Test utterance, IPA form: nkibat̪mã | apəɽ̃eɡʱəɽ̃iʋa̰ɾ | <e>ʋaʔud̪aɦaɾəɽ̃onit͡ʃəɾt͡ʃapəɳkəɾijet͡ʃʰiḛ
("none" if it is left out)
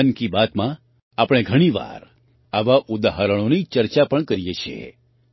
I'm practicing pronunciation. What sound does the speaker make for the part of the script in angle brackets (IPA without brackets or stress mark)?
a